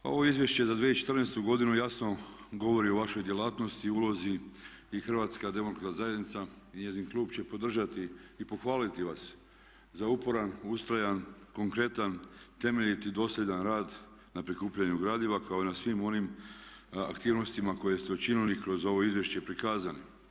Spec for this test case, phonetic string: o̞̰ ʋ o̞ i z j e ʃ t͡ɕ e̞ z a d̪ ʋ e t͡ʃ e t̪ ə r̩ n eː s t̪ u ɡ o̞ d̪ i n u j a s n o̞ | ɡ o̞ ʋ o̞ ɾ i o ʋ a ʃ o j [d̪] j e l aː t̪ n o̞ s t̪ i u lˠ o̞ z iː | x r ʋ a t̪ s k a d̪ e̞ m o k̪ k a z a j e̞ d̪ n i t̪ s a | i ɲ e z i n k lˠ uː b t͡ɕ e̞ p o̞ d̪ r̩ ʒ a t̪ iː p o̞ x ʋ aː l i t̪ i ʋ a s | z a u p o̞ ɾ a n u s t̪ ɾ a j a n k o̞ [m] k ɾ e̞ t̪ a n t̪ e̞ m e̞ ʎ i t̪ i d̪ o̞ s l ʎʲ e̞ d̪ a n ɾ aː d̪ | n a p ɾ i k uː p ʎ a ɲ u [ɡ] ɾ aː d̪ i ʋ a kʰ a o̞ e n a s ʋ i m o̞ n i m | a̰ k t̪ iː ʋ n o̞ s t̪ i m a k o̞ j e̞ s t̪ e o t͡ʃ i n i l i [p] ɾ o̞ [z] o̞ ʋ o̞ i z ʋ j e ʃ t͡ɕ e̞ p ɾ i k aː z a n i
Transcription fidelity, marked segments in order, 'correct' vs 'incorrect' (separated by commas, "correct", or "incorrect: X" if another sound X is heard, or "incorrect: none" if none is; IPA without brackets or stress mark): correct, incorrect: ŋ, correct, incorrect: k, correct